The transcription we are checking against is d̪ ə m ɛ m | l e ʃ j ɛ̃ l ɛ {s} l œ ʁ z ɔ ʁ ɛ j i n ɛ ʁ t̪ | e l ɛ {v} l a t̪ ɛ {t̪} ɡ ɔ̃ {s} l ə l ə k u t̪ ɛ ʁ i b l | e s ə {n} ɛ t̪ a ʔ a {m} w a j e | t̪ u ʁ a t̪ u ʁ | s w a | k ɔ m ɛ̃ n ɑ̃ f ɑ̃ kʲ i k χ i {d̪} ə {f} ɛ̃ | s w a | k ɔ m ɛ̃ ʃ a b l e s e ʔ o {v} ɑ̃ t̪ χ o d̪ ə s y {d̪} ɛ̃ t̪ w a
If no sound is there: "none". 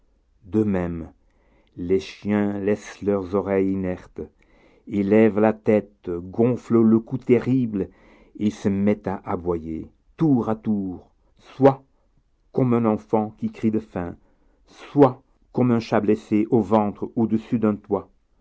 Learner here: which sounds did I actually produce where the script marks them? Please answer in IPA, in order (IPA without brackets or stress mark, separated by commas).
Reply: s, v, t̪, f, m, b, d̪, f, v, d̪